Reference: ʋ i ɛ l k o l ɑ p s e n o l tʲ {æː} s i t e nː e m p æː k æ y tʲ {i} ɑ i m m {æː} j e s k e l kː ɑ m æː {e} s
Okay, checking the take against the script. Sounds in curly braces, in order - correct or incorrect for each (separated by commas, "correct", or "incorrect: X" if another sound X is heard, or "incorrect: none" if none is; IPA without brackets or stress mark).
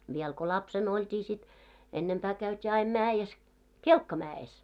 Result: incorrect: iː, incorrect: iː, correct, correct